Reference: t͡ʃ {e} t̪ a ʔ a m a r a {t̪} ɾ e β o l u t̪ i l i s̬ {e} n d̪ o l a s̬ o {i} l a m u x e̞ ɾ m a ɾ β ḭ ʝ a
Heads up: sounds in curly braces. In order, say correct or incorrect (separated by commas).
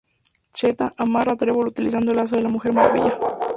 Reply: correct, correct, incorrect, incorrect